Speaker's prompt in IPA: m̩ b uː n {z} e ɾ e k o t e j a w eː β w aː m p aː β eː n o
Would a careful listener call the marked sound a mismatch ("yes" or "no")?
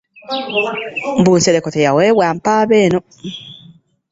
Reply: yes